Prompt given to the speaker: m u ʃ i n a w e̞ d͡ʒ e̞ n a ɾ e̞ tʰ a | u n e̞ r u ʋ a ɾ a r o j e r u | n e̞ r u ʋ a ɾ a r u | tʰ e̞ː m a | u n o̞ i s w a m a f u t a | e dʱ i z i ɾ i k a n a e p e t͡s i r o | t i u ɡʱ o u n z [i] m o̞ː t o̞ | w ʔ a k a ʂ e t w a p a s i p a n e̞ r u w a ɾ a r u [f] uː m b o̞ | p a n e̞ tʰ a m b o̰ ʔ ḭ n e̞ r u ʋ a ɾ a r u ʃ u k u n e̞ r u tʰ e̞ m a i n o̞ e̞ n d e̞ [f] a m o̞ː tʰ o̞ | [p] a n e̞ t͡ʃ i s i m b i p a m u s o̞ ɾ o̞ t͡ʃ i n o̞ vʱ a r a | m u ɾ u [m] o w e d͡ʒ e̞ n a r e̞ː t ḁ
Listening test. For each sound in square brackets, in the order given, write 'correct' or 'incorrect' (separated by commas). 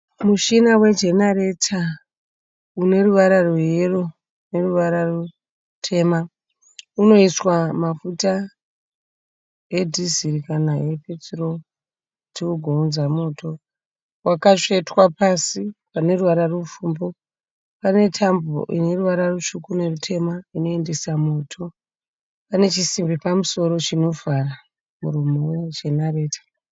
incorrect, correct, incorrect, correct, correct